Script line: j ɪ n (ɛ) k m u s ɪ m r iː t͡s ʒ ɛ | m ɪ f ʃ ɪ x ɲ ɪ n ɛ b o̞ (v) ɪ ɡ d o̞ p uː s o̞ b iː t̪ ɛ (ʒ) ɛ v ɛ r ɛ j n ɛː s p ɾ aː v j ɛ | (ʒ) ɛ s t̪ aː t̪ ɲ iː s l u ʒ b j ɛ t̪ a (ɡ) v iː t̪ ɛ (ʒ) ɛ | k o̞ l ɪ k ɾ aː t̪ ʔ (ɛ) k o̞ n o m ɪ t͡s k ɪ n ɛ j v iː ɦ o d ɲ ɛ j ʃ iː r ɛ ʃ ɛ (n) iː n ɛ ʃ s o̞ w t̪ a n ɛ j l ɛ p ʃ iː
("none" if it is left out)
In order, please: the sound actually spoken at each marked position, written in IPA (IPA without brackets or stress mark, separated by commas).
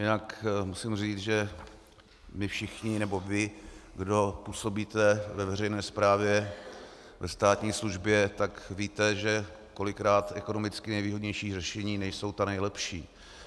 a, v, v, v, k, ʒ, ɛ, ɲ